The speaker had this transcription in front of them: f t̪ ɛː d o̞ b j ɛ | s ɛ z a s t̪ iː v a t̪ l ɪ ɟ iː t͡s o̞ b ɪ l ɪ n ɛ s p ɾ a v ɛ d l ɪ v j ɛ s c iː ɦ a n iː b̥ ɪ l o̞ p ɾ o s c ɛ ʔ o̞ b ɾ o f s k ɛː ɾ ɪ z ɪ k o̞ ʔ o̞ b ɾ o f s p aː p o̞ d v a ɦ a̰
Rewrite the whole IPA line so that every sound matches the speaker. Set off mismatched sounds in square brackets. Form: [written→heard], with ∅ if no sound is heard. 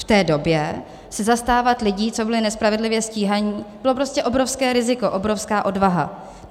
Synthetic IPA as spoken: f t̪ ɛː d o̞ b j ɛ | s ɛ z a s t̪ [iː→aː] v a t̪ l ɪ ɟ iː t͡s o̞ b ɪ l ɪ n ɛ s p ɾ a v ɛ d l ɪ v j ɛ s c iː ɦ a [n→ɲ] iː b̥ ɪ l o̞ p ɾ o s c ɛ ʔ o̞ b ɾ o f s k ɛː ɾ ɪ z ɪ k o̞ ʔ o̞ b ɾ o f s [p→k] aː [p→ʔ] o̞ d v a ɦ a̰

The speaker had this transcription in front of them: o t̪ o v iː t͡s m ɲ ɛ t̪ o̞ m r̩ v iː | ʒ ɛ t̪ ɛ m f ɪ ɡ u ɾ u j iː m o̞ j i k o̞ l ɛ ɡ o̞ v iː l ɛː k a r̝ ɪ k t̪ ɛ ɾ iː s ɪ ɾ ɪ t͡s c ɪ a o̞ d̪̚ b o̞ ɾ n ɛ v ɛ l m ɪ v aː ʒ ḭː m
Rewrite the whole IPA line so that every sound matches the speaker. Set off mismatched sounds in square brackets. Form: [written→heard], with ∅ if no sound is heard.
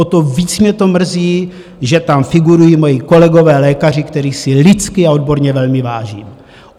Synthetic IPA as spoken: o t̪ o v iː t͡s m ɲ ɛ t̪ o̞ m r̩ [v→z] iː | ʒ ɛ t̪ [ɛ→a] m f ɪ ɡ u ɾ u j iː m o̞ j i k o̞ l ɛ ɡ o̞ v [iː→ɛː] l ɛː k a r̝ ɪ k t̪ ɛ ɾ iː s ɪ [ɾ→l] ɪ t͡s [c→k] ɪ a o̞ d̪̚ b o̞ ɾ [n→ɲ] ɛ v ɛ l m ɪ v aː ʒ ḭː m

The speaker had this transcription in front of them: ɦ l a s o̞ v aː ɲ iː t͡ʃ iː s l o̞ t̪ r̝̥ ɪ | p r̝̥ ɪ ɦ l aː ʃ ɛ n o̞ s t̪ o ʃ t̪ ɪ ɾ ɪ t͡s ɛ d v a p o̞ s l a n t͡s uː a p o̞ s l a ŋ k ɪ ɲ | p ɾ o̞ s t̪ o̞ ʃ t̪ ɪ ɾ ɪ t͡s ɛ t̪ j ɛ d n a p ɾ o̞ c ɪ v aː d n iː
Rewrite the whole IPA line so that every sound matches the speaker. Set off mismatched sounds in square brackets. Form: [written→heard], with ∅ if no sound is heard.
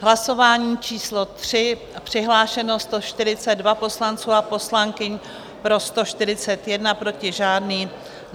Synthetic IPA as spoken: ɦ l a s o̞ v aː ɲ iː t͡ʃ iː s l o̞ t̪ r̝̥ ɪ | p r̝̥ ɪ ɦ l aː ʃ ɛ n o̞ s t̪ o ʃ t̪ ɪ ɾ ɪ t͡s ɛ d v a p o̞ s l a n t͡s uː a p o̞ s l a ŋ k ɪ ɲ | p ɾ o̞ s t̪ o̞ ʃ t̪ ɪ ɾ ɪ t͡s ɛ t̪ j ɛ d n a p ɾ o̞ c ɪ [v→ʒ] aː d n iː

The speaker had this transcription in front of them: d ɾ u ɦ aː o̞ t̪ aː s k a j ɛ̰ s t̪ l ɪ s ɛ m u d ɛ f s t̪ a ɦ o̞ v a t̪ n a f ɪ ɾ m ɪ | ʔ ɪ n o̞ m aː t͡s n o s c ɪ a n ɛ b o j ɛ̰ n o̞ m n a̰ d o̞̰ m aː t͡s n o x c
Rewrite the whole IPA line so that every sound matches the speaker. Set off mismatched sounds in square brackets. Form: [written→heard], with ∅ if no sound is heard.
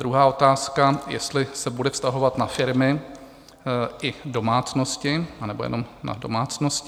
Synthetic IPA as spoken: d ɾ u ɦ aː o̞ t̪ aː s k a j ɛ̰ s t̪ l ɪ s ɛ [m→b] u d ɛ f s t̪ a ɦ o̞ v a t̪ n a f ɪ ɾ m ɪ | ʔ ɪ [n→d] o̞ m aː t͡s n o s c ɪ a n ɛ b o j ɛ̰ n o̞ m n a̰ d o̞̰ m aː t͡s n o [x→s] c

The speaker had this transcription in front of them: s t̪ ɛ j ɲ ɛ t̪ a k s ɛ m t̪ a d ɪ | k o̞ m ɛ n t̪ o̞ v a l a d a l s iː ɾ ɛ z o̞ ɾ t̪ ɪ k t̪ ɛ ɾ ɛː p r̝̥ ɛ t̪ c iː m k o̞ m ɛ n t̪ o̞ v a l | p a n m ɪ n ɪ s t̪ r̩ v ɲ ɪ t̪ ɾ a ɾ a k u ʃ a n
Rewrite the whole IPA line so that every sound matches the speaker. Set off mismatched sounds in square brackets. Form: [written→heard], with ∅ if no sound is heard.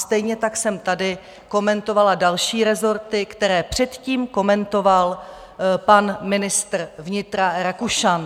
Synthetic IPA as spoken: s t̪ ɛ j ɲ ɛ t̪ a k s ɛ m t̪ a d ɪ | k o̞ m ɛ n t̪ o̞ v a l a d a l [s→ʃ] iː ɾ ɛ z o̞ ɾ t̪ ɪ k t̪ ɛ ɾ ɛː p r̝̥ ɛ t̪ c iː m k o̞ m ɛ n t̪ o̞ v a l | p a n m ɪ n ɪ s t̪ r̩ v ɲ ɪ t̪ ɾ a ɾ a k u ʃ a n

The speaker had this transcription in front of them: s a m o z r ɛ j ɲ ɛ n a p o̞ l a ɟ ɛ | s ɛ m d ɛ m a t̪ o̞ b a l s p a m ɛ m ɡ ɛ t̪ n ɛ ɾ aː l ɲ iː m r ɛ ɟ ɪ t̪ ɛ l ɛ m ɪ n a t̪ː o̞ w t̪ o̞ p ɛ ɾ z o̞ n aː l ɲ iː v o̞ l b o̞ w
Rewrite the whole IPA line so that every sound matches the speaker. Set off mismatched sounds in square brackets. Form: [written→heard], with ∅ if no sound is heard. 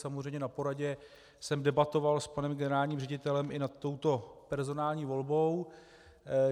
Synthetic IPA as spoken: s a m o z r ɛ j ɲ ɛ n a p o̞ [l→ɾ] a ɟ ɛ | s ɛ m d ɛ [m→b] a t̪ o̞ [b→v] a l s p a [m→n] ɛ m ɡ ɛ [t̪→∅] n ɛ ɾ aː l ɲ iː m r ɛ ɟ ɪ t̪ ɛ l ɛ m ɪ n a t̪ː o̞ w t̪ o̞ p ɛ ɾ z o̞ n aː l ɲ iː v o̞ l b o̞ w

